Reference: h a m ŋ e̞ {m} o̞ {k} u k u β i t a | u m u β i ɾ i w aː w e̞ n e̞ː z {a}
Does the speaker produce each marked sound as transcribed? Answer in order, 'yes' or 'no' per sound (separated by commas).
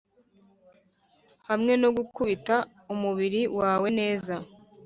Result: no, no, yes